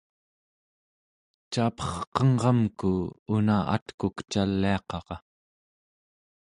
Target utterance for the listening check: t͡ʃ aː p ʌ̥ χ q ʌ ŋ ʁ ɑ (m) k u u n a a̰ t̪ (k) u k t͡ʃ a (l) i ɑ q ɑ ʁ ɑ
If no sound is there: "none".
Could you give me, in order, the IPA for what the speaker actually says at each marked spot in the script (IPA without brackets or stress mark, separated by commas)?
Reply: m, k, lː